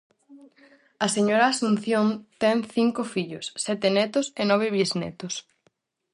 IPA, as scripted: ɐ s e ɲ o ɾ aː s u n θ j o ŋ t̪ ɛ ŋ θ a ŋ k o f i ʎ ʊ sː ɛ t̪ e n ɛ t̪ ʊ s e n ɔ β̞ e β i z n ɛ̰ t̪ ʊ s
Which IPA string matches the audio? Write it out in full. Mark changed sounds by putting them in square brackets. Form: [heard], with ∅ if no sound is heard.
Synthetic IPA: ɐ s e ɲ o ɾ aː s u n θ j o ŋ t̪ ɛ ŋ θ [i] ŋ k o f i ʎ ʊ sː ɛ t̪ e n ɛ t̪ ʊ s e n ɔ β̞ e β i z n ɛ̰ t̪ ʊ s